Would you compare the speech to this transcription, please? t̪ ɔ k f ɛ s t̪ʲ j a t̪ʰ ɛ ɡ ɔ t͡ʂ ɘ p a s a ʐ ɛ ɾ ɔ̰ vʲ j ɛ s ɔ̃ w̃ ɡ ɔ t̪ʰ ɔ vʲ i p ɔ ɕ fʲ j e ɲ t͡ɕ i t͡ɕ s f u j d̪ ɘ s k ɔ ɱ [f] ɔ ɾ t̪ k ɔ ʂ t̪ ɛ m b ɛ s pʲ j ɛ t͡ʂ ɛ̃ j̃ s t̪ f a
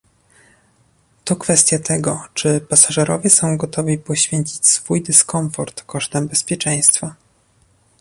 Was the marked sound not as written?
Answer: no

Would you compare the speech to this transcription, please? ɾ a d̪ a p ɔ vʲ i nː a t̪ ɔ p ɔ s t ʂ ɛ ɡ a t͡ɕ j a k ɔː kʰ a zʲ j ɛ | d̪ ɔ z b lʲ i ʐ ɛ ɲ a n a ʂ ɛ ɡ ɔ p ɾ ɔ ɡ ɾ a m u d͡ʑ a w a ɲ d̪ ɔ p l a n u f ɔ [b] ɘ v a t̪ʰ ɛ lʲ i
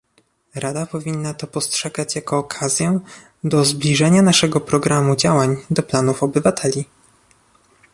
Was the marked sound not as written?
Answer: no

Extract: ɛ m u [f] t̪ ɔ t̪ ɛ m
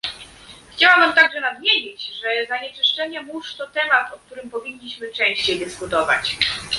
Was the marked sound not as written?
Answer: yes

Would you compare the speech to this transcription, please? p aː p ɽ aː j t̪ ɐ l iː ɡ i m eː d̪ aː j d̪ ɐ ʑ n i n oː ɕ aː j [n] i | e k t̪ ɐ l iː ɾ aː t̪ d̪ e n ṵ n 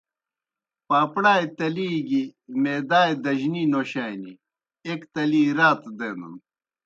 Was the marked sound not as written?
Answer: no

